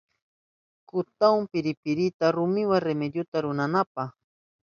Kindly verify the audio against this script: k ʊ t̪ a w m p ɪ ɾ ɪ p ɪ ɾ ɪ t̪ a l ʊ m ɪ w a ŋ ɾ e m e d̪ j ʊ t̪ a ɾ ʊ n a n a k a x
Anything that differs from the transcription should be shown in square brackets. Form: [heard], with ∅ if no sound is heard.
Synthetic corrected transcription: k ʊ t̪ a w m p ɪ ɾ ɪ p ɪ ɾ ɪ t̪ a [ɾ] ʊ m ɪ w a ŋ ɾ e m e d̪ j ʊ t̪ a ɾ ʊ n a n a [p] a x

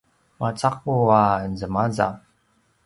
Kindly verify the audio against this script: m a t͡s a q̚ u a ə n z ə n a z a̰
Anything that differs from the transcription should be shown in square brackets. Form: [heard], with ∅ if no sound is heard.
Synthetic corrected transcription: m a t͡s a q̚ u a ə n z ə [m] a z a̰

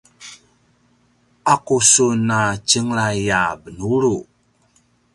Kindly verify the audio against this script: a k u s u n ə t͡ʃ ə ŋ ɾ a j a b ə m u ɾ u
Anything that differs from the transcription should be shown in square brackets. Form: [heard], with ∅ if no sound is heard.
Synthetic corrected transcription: a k u s u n [a] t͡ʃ ə ŋ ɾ a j a b ə [n] u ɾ u

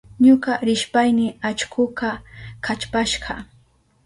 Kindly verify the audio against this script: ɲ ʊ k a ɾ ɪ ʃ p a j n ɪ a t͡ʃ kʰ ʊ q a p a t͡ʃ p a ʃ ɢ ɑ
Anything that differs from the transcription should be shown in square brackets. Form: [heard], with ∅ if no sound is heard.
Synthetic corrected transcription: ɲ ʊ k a ɾ ɪ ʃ p a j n ɪ a t͡ʃ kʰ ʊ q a [k] a t͡ʃ p a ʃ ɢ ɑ

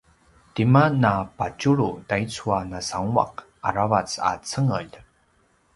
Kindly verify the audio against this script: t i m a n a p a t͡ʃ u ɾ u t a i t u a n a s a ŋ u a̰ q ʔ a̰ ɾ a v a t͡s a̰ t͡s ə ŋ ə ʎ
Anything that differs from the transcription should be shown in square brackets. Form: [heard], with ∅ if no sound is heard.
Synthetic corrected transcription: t i m a n a p a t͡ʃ u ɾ u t a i [t͡s] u a n a s a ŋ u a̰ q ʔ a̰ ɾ a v a t͡s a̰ t͡s ə ŋ ə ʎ

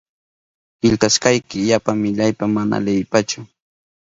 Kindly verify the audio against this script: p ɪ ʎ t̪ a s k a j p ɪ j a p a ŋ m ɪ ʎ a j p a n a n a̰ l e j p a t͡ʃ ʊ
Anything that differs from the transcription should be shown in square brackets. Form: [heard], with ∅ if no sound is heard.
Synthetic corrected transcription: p ɪ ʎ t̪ a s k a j [k] ɪ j a p a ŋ m ɪ ʎ a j p a [m] a n a̰ l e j p a t͡ʃ ʊ

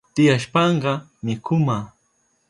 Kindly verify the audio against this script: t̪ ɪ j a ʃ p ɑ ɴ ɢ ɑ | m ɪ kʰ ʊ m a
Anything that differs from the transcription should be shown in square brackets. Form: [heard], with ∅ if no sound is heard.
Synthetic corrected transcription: t̪ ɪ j a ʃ p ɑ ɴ ɢ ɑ | m ɪ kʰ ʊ m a

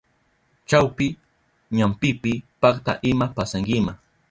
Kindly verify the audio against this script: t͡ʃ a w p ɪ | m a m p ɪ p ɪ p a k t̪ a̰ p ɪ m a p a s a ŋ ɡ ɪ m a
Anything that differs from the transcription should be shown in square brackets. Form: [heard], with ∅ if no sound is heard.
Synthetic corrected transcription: t͡ʃ a w p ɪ | [ɲ] a m p ɪ p ɪ p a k t̪ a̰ [ʔ] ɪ m a p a s a ŋ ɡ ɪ m a

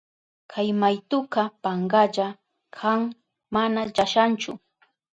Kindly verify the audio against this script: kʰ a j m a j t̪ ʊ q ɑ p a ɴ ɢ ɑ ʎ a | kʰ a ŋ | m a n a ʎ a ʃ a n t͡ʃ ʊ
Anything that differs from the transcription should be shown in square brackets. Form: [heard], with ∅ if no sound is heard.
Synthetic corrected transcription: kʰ a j m a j t̪ ʊ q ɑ p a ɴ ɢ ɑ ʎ a | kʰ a ŋ | m a n a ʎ a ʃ a n t͡ʃ ʊ

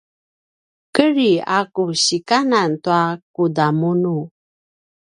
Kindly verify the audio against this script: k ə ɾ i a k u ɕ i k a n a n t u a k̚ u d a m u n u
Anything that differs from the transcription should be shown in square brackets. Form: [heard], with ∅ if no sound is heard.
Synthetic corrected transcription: k ə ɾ i a k u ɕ i k a n a n t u a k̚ u d a m u n u

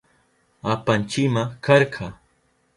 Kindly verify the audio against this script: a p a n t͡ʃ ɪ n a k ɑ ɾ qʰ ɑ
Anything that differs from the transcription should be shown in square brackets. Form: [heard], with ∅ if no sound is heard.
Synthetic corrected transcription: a p a n t͡ʃ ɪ [m] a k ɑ ɾ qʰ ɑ

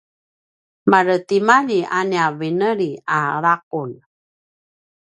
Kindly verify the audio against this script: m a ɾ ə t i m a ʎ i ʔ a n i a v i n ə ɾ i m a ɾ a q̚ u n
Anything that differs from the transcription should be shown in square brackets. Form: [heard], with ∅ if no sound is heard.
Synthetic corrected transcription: m a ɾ ə t i m a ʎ i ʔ a n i a v i n ə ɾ i [∅] a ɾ a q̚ u n

